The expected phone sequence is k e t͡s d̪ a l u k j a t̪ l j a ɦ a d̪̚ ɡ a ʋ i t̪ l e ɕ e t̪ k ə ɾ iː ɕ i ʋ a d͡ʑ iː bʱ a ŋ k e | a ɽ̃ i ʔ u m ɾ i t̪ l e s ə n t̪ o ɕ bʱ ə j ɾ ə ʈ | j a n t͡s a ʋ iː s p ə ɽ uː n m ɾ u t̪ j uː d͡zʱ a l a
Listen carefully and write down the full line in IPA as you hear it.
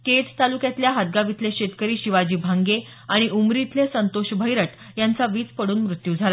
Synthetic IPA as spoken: k e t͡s t̪ a l u k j a t̪ l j a ɦ a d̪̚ ɡ a ʋ i t̪ l e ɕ e t̪ k ə ɾ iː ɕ i ʋ a d͡ʑ iː bʱ a ŋ ɡ e | a ɽ̃ i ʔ u m ɾ i t̪ l e s ə n t̪ o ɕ bʱ ə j ɾ ə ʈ | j a n t͡s a ʋ iː t͡s p ə ɽ uː n m ɾ u t̪ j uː d͡zʱ a l a